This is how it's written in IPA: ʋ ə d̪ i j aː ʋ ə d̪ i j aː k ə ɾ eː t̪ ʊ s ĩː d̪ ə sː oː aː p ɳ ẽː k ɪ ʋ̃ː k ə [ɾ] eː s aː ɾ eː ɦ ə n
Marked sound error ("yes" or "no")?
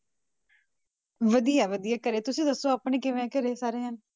no